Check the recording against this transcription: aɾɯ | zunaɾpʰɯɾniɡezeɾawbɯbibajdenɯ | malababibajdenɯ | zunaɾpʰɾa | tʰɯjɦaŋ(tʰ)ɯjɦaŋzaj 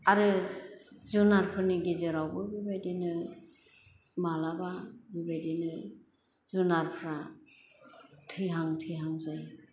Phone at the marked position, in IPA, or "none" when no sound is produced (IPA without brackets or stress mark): tʰ